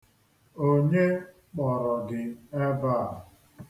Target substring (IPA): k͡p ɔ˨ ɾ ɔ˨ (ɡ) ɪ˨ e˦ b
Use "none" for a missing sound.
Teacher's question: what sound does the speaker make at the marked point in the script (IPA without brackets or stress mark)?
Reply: ɡ